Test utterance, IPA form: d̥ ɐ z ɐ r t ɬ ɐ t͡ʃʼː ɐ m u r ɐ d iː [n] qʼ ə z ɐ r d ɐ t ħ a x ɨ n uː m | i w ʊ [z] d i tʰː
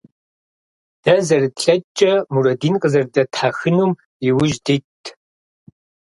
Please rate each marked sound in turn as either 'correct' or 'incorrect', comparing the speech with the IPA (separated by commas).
correct, incorrect